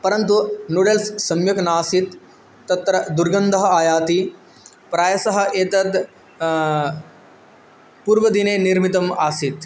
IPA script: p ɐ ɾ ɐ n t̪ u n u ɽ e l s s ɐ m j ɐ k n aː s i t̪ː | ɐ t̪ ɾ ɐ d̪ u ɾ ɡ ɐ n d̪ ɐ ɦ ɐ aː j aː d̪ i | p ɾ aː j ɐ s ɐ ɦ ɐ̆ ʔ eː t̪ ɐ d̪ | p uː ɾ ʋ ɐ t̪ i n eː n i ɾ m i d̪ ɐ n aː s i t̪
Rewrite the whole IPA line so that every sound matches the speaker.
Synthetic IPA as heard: p ɐ ɾ ɐ n t̪ u n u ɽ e l s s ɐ m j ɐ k n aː s i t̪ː | ɐ t̪ ɾ ɐ d̪ u ɾ ɡ ɐ n d̪ ɐ ɦ ɐ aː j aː t̪ i | p ɾ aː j ɐ s ɐ ɦ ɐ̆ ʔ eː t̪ ɐ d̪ | p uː ɾ ʋ ɐ d̪ i n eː n i ɾ m i t̪ ɐ m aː s i t̪